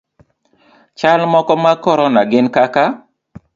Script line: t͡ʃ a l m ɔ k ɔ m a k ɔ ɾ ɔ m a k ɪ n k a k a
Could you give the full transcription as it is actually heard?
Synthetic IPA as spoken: t͡ʃ a l m ɔ k ɔ m a k ɔ ɾ ɔ n a ɡ ɪ n k a k a